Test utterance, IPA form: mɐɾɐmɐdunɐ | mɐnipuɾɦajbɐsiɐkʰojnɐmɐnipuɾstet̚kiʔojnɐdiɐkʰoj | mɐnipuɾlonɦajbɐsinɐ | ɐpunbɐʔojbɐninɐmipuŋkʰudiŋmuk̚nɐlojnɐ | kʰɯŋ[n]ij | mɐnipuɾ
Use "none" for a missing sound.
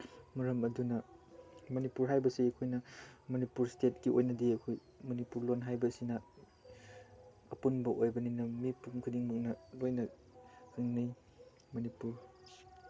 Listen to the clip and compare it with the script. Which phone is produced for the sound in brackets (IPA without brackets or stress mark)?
n